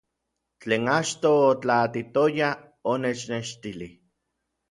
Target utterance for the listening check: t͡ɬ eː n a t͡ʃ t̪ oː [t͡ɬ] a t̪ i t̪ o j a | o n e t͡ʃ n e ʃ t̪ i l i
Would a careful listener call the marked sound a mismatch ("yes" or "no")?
no